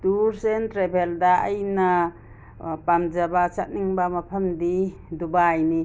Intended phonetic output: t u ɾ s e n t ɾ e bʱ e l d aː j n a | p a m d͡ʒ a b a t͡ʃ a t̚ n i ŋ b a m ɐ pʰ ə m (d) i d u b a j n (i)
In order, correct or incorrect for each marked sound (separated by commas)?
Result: correct, correct